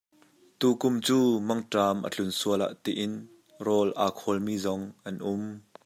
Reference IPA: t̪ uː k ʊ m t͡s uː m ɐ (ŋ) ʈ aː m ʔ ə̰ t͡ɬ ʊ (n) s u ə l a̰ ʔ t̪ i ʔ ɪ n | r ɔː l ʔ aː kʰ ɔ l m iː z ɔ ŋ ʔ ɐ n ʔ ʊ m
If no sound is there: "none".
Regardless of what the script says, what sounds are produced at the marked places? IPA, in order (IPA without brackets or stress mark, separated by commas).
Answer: ŋ, n